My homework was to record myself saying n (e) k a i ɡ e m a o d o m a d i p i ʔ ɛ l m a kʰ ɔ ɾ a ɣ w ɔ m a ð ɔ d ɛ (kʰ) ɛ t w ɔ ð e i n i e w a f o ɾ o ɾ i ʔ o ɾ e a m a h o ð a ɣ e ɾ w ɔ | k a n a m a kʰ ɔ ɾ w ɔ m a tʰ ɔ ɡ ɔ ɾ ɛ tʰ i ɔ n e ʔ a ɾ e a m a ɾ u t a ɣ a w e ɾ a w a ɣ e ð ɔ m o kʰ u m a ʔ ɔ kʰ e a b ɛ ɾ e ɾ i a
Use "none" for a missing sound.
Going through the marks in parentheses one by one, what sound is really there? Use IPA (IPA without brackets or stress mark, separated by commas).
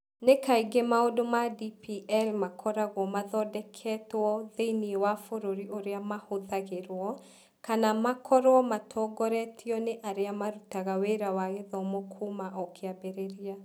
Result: e, kʰ